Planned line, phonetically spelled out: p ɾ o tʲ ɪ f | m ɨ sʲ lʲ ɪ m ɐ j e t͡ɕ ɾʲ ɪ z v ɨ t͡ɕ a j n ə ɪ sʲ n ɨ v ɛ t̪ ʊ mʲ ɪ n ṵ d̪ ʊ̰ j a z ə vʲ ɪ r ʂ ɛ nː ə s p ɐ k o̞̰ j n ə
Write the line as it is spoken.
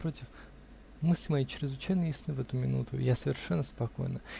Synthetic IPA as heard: p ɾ o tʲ ɪ f | m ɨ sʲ lʲ ɪ m ɐ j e t͡ɕ ɾʲ ɪ z v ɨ t͡ɕ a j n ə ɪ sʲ n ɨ v ɛ t̪ ʊ mʲ ɪ n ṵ t̪ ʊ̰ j a s ə vʲ ɪ r ʂ ɛ nː ə s p ɐ k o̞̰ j n ə